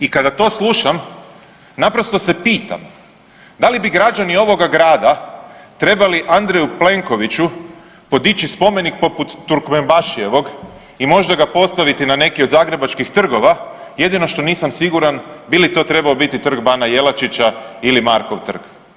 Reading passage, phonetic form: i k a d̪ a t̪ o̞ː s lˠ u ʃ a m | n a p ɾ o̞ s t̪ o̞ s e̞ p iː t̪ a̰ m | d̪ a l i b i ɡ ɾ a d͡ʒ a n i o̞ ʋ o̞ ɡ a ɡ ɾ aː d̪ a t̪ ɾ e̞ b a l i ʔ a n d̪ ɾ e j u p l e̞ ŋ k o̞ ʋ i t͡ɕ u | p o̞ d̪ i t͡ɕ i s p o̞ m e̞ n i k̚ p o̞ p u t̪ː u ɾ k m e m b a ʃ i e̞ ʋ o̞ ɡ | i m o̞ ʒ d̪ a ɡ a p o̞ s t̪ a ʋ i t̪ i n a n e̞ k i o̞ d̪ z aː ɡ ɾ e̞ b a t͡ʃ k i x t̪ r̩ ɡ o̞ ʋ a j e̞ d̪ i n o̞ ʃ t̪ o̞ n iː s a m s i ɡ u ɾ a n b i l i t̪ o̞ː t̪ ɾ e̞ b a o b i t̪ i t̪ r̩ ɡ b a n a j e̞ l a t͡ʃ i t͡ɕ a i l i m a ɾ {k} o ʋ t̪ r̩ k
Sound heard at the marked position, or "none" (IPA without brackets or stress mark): k